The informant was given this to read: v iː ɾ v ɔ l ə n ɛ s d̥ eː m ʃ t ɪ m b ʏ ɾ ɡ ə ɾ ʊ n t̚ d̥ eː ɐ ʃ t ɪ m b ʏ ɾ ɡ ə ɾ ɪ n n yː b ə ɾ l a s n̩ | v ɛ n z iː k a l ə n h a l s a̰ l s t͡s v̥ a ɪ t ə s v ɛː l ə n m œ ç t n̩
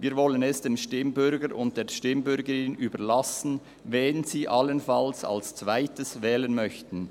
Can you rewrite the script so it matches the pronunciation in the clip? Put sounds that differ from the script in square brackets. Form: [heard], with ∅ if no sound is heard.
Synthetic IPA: v iː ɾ v ɔ l ə n ɛ s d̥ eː m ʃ t ɪ m b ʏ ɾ ɡ ə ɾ ʊ n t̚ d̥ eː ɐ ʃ t ɪ m b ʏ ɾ ɡ ə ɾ ɪ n n yː b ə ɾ l a s n̩ | v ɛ n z iː [ʔ] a l ə n [f] a l s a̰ l s t͡s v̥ a ɪ t ə s v ɛː l ə n m œ ç t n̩